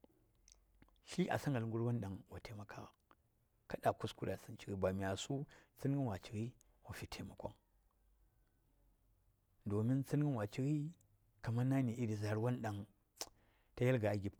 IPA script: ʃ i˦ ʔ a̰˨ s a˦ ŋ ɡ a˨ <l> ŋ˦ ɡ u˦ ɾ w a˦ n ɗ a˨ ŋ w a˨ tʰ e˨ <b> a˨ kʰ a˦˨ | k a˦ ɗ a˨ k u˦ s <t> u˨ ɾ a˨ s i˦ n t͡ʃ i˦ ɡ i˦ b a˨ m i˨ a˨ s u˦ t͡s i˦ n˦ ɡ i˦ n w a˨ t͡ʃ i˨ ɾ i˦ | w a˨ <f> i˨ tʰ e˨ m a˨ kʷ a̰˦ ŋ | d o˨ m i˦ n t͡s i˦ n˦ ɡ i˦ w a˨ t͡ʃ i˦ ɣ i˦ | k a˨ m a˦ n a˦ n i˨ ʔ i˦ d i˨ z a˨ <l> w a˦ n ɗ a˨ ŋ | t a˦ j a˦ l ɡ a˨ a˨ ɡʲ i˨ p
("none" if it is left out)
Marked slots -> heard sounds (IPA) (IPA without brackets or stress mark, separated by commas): l, m, k, f, ɾ